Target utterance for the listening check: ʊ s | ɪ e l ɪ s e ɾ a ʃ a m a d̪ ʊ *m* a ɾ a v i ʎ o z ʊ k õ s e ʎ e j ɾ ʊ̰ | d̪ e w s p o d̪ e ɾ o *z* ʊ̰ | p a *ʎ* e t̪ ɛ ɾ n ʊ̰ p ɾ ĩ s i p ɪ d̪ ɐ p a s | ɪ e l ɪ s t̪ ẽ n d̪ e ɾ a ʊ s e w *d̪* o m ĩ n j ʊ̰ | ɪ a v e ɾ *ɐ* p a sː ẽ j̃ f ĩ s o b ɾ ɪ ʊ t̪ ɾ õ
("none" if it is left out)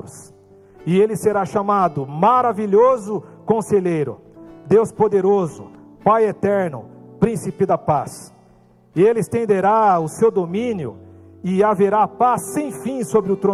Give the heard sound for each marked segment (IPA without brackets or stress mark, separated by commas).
m, z, j, d̪, a